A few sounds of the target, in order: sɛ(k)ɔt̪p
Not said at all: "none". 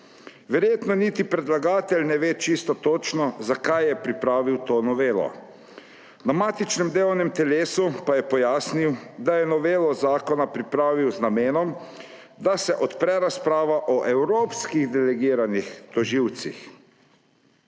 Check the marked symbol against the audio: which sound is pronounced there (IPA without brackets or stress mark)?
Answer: ʔ